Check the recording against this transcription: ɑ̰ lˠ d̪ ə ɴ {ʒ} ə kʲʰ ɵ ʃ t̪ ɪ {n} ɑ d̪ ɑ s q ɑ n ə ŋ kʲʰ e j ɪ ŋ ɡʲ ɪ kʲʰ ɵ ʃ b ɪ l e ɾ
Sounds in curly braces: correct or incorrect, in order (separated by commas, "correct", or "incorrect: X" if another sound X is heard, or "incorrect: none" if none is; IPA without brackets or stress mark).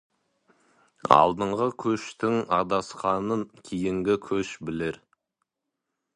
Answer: incorrect: ʁ, incorrect: ŋ